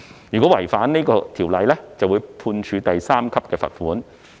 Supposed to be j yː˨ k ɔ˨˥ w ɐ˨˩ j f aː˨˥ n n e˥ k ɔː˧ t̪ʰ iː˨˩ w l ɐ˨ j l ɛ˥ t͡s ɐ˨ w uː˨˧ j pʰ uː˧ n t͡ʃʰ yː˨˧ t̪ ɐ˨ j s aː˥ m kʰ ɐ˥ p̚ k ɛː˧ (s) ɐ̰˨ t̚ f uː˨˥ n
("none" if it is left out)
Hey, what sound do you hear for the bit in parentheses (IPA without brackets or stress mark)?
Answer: f